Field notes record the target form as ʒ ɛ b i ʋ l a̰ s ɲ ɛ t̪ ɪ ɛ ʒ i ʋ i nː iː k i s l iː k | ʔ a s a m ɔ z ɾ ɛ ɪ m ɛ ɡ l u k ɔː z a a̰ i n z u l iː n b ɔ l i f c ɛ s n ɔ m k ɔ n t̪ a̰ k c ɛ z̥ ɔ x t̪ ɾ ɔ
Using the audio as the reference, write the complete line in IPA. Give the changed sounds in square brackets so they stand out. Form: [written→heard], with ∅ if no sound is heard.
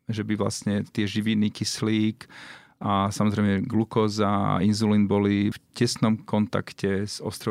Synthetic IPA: ʒ ɛ b i ʋ l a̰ s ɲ ɛ t̪ ɪ ɛ ʒ i ʋ i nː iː k i s l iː k | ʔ a s a m ɔ z ɾ ɛ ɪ m ɛ ɡ l u k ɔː z a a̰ i n z u l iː n b ɔ l i f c ɛ s n ɔ m k ɔ n t̪ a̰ k c ɛ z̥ ɔ [x→s] t̪ ɾ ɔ